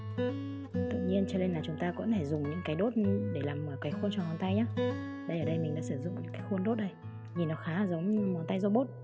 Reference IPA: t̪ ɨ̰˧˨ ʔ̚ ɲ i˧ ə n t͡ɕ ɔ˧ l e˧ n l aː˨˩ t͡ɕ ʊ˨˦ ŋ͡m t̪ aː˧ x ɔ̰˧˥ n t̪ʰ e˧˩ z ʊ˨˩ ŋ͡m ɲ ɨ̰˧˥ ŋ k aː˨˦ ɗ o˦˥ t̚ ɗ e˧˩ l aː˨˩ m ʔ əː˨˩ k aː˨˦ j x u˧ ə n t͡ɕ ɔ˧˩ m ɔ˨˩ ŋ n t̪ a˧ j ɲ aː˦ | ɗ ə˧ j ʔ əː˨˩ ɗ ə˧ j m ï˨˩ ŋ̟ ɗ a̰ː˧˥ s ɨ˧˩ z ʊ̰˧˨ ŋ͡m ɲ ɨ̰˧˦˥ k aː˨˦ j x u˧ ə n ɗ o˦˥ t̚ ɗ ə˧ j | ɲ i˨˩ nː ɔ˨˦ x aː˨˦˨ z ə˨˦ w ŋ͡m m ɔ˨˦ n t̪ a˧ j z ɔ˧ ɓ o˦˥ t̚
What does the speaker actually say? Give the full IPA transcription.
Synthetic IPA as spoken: t̪ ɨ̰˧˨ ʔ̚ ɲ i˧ ə n t͡ɕ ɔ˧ l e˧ n l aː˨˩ t͡ɕ ʊ˨˦ ŋ͡m t̪ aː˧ k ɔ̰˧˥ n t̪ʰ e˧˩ z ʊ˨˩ ŋ͡m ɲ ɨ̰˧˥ ŋ k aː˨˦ ɗ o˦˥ t̚ ɗ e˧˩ l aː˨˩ m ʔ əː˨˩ k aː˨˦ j x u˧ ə n t͡ɕ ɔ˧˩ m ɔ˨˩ n t̪ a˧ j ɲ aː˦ | ɗ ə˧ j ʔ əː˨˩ ɗ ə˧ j m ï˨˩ ŋ̟ ɗ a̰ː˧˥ s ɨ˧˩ z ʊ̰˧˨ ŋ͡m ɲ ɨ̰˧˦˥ k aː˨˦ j x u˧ ə n ɗ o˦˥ t̚ ɗ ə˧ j | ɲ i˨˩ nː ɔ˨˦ x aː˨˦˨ z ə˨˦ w ŋ͡m m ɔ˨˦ n t̪ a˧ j z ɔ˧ ɓ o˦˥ t̚